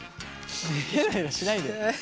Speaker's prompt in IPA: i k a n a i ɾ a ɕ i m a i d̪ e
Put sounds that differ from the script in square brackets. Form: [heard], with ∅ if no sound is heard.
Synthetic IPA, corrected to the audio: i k [e] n a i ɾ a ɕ i [n] a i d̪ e